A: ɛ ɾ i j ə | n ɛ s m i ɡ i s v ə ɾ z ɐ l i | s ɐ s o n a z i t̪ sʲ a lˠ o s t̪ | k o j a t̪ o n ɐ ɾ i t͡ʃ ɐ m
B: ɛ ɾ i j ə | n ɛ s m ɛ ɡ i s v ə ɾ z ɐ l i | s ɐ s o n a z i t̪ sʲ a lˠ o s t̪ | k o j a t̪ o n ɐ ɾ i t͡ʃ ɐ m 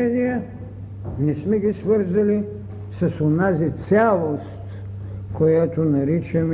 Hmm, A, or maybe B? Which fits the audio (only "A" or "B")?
B